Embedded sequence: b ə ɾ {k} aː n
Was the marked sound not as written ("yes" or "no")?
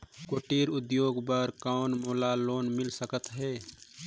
no